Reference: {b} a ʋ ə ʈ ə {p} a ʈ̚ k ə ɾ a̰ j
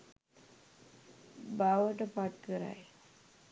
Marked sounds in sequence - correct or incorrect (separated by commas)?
correct, correct